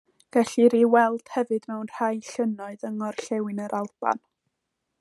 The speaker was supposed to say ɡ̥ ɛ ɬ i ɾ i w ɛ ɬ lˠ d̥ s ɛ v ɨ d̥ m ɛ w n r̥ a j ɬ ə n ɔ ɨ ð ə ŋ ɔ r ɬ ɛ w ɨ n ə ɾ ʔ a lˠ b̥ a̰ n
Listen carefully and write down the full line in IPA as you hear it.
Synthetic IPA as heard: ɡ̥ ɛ ɬ i ɾ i w ɛ lˠ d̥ h ɛ v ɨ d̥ m ɛ w n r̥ a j ɬ ə n ɔ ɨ ð ə ŋ ɔ r ɬ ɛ w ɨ n ə ɾ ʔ a lˠ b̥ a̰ n